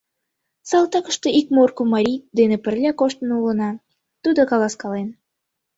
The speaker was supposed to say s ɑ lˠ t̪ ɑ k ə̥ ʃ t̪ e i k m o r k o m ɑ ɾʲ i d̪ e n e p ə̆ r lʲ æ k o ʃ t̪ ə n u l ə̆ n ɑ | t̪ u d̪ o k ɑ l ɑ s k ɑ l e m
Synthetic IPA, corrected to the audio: s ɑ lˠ t̪ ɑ k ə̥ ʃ t̪ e i k m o r k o m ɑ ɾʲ i d̪ e n e p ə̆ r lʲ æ k o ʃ t̪ ə n u l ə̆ n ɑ | t̪ u d̪ o k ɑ l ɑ s k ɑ l e n